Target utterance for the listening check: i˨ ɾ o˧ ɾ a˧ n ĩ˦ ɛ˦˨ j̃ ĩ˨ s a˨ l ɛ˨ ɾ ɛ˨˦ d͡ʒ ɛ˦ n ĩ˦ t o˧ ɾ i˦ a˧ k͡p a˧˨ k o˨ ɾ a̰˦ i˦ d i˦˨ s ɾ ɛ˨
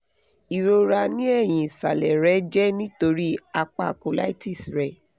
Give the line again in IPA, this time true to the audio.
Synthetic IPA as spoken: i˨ ɾ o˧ ɾ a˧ n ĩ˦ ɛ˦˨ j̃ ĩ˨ s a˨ l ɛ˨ ɾ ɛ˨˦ d͡ʒ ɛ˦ n ĩ˦ t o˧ ɾ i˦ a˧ k͡p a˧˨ k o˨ l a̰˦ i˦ t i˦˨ s ɾ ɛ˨

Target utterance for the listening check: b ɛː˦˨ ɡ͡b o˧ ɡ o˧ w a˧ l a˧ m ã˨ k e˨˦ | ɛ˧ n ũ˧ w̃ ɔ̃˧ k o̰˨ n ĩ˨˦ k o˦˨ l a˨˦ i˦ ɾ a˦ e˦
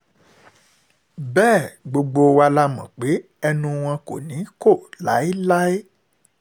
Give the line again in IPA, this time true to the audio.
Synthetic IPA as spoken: b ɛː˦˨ ɡ͡b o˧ ɡ͡b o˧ w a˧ l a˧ m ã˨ k͡p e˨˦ | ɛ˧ n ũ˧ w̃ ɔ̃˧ k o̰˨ n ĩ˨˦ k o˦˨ l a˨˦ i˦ l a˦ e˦

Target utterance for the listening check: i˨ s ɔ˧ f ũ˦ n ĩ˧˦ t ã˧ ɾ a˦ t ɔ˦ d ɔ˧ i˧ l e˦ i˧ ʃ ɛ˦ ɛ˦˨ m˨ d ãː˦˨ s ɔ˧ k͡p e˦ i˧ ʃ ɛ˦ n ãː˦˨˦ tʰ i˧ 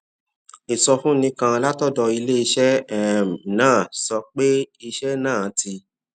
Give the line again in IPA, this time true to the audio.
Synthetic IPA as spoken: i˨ s ɔ˧ f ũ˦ n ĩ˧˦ k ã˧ l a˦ t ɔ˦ d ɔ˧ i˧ l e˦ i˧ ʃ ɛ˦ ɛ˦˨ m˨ n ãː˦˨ s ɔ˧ k͡p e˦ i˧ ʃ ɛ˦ n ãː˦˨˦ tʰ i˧

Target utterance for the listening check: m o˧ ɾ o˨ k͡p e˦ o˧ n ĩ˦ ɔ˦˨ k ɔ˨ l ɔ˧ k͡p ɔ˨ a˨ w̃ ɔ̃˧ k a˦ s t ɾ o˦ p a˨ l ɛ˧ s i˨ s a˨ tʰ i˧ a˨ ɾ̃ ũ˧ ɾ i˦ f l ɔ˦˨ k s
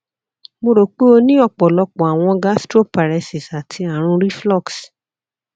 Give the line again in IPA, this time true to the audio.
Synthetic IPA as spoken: m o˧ ɾ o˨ k͡p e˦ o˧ n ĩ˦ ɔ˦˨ k͡p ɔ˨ l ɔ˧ k͡p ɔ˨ a˨ w̃ ɔ̃˧ ɡ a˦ s t ɾ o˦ p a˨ ɾ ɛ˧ s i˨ s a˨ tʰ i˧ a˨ ɾ̃ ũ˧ ɾ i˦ f l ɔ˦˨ k s

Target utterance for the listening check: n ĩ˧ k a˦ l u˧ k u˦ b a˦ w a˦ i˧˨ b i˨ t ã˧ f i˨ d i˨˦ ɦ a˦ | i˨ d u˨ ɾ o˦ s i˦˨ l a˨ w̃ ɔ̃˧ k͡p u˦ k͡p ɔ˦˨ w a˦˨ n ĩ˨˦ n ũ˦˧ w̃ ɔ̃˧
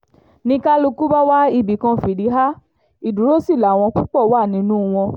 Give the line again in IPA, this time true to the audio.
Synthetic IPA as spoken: n ĩ˧ k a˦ l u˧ k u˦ b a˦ w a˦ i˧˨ b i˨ k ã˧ f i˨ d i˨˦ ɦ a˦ | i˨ d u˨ ɾ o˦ s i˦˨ l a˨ w̃ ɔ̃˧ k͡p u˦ k͡p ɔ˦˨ w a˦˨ n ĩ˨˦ n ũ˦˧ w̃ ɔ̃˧

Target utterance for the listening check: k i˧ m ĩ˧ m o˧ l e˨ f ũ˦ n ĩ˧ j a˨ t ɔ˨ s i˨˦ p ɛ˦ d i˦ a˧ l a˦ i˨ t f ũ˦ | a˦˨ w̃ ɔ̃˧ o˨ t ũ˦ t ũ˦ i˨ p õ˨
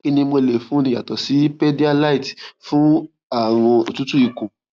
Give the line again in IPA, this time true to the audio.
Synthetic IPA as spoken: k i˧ n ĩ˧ m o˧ l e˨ f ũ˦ n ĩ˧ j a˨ t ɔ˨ s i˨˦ p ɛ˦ d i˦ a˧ l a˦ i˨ t f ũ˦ | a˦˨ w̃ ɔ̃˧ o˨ t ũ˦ t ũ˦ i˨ k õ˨

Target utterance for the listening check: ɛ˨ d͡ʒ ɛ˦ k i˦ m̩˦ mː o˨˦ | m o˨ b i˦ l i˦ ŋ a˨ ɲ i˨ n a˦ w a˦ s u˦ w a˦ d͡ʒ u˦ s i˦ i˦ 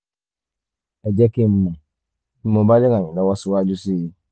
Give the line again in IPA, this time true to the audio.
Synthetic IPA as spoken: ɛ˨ d͡ʒ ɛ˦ k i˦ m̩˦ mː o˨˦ | m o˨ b a˦ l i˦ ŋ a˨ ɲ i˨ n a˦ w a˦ s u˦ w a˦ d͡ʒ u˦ s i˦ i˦

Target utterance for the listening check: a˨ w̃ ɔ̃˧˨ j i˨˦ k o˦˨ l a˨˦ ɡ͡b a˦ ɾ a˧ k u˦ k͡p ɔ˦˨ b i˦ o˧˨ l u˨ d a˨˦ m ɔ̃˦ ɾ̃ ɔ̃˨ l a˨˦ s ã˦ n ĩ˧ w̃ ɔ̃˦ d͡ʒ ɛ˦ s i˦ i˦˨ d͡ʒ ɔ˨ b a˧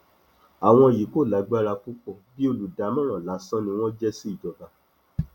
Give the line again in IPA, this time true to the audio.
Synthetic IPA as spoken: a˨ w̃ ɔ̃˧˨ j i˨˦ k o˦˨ l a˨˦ ɡ͡b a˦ ɾ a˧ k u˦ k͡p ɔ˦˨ b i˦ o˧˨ l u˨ d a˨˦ m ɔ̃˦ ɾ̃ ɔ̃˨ l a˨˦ s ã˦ n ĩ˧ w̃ ɔ̃˦ d͡ʒ ɛ˦ s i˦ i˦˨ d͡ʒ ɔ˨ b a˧

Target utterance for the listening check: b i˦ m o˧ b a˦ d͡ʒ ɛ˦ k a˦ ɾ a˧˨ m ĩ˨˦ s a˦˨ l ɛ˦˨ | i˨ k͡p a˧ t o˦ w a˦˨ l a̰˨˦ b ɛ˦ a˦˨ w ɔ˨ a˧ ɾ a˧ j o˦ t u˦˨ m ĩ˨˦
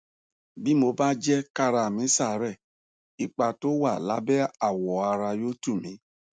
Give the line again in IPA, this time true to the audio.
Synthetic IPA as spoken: b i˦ m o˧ b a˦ d͡ʒ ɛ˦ k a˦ ɾ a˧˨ m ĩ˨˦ s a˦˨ ɾ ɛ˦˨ | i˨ k͡p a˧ t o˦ w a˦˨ l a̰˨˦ b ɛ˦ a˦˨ w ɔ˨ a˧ ɾ a˧ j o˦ t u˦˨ m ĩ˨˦

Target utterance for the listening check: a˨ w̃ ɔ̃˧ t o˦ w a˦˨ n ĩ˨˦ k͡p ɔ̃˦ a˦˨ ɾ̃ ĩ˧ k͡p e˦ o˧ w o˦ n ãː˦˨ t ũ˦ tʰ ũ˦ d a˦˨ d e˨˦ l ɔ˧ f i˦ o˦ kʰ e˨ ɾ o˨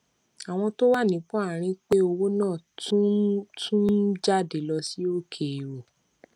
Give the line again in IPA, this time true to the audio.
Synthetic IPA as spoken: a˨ w̃ ɔ̃˧ t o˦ w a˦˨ n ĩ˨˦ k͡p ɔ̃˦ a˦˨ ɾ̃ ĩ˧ k͡p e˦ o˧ w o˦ n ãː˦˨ t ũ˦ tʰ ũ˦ d͡ʒ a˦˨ d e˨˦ l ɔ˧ s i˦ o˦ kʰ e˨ ɾ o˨

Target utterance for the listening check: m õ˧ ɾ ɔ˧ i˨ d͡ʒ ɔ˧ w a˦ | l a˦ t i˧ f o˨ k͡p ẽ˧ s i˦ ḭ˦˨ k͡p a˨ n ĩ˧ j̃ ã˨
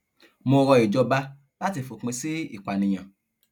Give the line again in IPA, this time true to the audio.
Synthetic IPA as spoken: m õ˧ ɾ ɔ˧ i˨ d͡ʒ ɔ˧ b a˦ | l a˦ t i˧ f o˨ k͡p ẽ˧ s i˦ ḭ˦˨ k͡p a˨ n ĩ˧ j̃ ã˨

